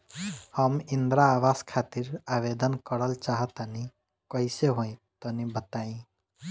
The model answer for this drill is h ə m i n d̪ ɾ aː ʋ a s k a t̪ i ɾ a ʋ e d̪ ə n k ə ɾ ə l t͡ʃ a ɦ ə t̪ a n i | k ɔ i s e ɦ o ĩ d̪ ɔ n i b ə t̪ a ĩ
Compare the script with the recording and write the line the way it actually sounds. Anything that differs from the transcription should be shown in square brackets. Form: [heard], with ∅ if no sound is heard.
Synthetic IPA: h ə m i n d̪ ɾ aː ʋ a s [kʰ] a t̪ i ɾ a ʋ e d̪ ə n k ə ɾ ə l t͡ʃ a ɦ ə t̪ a n i | k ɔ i s e ɦ o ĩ [t̪] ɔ n i b ə t̪ a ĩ

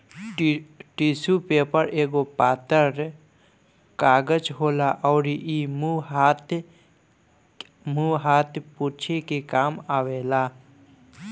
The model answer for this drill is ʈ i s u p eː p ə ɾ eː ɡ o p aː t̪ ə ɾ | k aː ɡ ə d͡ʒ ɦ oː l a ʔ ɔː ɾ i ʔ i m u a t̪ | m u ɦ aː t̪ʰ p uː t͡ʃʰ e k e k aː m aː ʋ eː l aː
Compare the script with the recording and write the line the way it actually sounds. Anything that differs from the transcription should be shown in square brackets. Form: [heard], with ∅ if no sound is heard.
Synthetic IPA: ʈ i s u p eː p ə ɾ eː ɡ o p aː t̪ ə ɾ | k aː ɡ ə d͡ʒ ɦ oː l a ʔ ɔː ɾ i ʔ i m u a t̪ | m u ɦ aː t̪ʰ p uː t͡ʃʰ e k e k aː m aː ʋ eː l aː

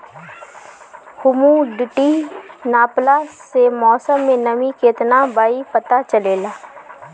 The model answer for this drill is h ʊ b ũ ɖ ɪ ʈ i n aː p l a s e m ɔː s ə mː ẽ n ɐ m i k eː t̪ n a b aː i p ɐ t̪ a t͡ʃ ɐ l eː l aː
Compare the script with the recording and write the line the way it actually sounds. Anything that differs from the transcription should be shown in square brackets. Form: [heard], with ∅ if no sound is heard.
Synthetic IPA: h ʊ [m] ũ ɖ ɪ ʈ i n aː p l a s e m ɔː s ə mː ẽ n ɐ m i k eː t̪ n a b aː i p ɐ t̪ a t͡ʃ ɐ l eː l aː

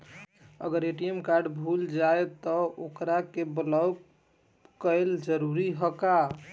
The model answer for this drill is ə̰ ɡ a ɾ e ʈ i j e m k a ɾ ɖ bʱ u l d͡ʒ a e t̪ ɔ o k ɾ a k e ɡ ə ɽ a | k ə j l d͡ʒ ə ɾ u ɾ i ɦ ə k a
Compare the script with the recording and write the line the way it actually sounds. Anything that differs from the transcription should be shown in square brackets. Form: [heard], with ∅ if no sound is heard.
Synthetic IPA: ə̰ ɡ [ə] ɾ e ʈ i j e m k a ɾ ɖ bʱ u l d͡ʒ a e t̪ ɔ o k ɾ a k e [b] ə [l] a | k ə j l d͡ʒ ə ɾ u ɾ i ɦ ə k a

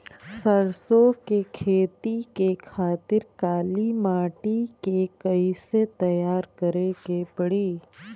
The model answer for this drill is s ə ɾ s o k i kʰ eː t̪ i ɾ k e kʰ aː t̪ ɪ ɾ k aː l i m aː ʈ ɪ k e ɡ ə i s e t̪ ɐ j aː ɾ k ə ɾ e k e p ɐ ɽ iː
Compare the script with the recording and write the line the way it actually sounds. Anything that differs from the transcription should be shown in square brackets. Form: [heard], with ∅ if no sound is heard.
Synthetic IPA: s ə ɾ s o k [e] kʰ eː t̪ i [∅] k e kʰ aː t̪ ɪ ɾ k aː l i m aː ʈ [i] k e [k] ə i s e t̪ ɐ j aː ɾ k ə ɾ e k e p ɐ ɽ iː

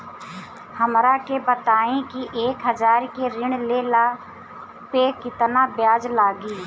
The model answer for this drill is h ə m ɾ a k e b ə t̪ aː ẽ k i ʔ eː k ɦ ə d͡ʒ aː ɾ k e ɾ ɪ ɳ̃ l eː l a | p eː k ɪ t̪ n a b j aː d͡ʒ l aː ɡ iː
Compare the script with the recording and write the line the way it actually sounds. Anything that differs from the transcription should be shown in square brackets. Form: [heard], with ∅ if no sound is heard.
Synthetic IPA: h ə m ɾ a k e b ə t̪ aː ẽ k i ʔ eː k ɦ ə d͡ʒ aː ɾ k e ɾ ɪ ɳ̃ l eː l a | p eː k ɪ t̪ n a b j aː d͡ʒ l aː ɡ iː

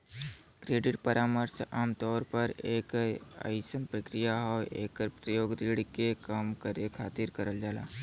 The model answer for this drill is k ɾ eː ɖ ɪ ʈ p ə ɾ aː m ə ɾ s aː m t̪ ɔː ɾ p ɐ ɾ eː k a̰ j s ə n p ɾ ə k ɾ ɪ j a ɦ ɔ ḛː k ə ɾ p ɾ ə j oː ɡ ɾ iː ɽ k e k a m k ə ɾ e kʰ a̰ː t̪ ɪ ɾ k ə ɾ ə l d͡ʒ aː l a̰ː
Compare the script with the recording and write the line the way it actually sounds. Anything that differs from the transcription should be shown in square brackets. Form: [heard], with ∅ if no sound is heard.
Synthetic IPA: k ɾ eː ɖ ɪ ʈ p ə ɾ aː m ə ɾ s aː m t̪ ɔː ɾ p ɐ ɾ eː k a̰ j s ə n p ɾ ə k ɾ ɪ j a ɦ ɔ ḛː k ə ɾ p ɾ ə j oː ɡ ɾ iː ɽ k e k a m k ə ɾ e kʰ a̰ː t̪ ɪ ɾ k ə ɾ ə l d͡ʒ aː l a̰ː

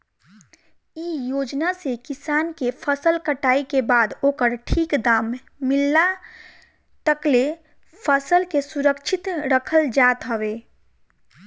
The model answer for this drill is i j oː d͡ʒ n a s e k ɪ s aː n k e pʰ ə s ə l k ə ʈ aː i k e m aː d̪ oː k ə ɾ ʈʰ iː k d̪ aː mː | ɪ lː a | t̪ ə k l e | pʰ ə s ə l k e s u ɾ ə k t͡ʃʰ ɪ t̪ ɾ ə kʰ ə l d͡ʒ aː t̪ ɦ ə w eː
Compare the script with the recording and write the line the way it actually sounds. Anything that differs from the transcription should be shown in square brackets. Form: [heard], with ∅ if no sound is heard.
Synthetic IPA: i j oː d͡ʒ n a s e k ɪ s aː n k e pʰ ə s ə l k ə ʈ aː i k e [b] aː d̪ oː k ə ɾ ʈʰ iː k d̪ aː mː | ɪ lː a | t̪ ə k l e | pʰ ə s ə l k e s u ɾ ə k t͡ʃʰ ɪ t̪ ɾ ə kʰ ə l d͡ʒ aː t̪ ɦ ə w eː

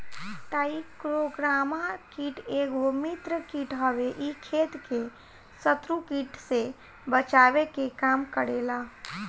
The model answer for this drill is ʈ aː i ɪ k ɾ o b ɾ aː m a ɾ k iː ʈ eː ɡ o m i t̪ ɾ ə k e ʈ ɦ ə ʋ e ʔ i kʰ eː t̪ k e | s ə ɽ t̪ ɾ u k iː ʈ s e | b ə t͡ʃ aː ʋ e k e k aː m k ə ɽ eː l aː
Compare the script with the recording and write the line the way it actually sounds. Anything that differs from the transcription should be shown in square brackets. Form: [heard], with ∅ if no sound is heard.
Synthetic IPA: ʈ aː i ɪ k ɾ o [ɡ] ɾ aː m a [∅] k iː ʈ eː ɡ o m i t̪ ɾ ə k [i] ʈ ɦ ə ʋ e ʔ i kʰ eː t̪ k e | s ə [∅] t̪ ɾ u k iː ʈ s e | b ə t͡ʃ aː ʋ e k e k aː m k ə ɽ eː l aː

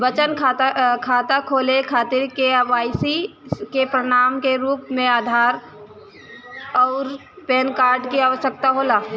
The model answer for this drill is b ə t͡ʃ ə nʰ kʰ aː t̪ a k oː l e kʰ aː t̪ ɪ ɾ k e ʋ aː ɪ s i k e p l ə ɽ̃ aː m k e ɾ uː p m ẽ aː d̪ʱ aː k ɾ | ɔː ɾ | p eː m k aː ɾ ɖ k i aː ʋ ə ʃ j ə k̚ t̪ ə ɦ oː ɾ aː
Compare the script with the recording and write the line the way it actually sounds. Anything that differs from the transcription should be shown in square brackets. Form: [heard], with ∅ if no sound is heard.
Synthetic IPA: b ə t͡ʃ ə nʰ kʰ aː t̪ a [kʰ] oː l e kʰ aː t̪ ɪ ɾ k e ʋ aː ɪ s i k e p [ɾ] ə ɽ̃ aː m k e ɾ uː p m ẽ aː d̪ʱ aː [∅] ɾ | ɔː ɾ | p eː [n] k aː ɾ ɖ k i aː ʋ ə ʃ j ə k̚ t̪ [a] ɦ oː [l] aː

